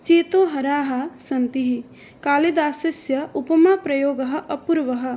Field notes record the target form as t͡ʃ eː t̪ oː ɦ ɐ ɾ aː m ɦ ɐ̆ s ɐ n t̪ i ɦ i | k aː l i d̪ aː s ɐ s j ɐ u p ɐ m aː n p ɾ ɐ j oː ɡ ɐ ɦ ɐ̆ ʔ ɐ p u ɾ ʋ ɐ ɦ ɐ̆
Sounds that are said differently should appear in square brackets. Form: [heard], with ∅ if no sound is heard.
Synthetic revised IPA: t͡ʃ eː t̪ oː ɦ ɐ ɾ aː [∅] ɦ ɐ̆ s ɐ n t̪ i ɦ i | k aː l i d̪ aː s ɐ s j ɐ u p ɐ m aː [∅] p ɾ ɐ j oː ɡ ɐ ɦ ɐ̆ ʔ ɐ p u ɾ ʋ ɐ ɦ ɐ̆